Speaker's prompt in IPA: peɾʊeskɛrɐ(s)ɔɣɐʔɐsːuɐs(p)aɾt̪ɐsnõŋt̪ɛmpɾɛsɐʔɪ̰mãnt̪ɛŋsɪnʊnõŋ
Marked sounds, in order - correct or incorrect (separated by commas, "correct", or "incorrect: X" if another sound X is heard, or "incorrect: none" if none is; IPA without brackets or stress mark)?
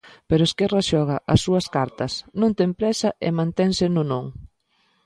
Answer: incorrect: ʃ, incorrect: k